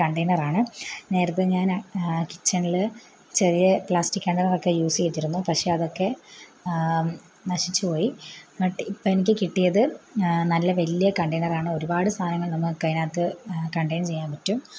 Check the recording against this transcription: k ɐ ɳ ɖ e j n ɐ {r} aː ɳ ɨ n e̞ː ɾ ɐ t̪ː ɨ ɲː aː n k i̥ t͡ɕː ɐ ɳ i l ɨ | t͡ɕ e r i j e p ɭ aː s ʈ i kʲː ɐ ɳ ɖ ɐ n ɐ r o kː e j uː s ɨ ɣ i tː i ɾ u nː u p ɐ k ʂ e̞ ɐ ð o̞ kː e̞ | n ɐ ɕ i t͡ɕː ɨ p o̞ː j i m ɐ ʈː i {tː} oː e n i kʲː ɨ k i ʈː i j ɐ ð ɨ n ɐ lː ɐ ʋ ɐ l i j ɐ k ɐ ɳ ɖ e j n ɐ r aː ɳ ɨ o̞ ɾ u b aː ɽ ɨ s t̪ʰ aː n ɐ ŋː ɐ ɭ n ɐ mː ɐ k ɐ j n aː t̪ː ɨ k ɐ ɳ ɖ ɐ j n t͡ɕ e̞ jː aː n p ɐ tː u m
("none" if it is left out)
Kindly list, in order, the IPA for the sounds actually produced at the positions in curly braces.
r, pː

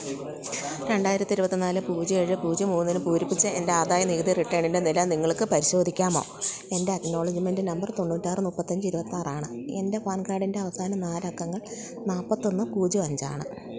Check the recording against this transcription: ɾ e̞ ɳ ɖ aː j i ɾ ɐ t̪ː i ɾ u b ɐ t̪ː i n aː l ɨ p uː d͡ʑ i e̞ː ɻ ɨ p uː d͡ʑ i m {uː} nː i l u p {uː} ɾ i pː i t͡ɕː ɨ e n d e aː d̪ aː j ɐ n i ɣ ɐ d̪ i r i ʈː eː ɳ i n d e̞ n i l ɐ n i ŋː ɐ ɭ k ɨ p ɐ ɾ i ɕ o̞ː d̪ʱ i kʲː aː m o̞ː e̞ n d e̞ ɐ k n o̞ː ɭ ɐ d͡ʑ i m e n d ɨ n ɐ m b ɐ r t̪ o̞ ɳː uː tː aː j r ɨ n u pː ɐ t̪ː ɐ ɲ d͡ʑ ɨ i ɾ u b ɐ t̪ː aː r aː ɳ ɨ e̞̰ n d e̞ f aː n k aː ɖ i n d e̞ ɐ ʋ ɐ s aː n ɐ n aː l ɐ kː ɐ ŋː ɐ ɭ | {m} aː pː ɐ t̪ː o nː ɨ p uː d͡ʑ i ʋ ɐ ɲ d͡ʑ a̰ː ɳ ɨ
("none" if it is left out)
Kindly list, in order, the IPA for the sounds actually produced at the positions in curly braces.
uː, uː, n

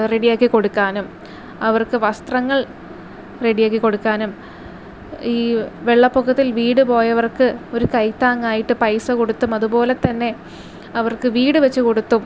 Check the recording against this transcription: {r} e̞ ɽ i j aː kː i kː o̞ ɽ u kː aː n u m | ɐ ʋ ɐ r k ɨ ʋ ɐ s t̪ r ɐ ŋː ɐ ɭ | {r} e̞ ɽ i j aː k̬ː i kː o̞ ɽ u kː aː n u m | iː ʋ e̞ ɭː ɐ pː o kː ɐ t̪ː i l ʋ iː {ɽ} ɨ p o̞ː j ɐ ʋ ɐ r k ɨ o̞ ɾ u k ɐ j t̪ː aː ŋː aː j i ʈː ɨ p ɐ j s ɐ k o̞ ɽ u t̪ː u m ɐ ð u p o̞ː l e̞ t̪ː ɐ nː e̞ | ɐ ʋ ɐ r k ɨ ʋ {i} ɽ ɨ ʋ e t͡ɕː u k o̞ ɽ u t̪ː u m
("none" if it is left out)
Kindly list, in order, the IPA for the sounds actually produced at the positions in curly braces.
r, r, ɽ, iː

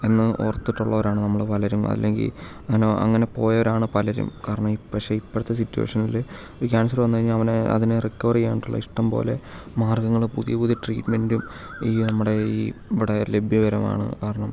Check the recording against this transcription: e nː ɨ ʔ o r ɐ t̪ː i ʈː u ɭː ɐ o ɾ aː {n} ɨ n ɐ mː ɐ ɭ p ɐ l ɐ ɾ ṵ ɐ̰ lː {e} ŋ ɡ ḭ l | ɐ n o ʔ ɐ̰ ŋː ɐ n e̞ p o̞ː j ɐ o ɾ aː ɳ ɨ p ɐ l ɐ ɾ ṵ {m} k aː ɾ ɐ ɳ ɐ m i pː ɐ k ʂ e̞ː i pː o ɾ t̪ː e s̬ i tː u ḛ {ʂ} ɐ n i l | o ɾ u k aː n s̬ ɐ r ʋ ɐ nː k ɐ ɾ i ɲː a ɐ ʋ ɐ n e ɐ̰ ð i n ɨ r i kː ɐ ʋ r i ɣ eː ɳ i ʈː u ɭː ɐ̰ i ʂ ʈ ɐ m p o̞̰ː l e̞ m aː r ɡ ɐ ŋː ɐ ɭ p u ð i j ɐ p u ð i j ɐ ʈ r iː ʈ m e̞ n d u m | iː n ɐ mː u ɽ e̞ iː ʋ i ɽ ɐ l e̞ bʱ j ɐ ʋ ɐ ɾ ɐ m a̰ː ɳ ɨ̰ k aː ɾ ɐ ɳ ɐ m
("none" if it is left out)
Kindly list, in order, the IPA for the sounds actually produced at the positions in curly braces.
ɳ, e, m, ʂ

